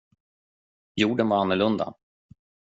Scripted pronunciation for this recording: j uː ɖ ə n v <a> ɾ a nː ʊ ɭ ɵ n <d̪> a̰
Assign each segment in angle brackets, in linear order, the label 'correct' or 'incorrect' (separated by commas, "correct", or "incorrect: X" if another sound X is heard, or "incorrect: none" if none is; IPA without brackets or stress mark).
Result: correct, correct